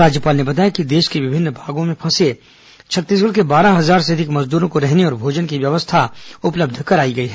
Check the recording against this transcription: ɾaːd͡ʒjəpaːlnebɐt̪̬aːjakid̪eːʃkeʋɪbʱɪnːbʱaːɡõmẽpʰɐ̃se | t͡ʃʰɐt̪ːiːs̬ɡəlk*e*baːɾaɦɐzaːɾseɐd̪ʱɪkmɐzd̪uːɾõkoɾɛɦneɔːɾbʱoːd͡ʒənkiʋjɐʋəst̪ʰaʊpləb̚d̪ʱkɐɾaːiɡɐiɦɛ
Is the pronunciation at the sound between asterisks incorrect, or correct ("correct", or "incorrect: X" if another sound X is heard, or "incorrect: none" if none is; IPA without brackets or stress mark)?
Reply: correct